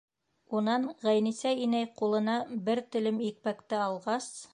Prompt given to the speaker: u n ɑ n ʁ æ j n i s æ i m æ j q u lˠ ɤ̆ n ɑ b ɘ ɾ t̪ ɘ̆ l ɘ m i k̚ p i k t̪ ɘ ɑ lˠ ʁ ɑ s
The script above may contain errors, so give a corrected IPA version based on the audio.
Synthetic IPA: u n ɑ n ʁ æ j n i s æ i n æ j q u lˠ ɤ̆ n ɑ b ɘ ɾ t̪ ɘ̆ l ɘ m i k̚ p æ k t̪ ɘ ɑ lˠ ʁ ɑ s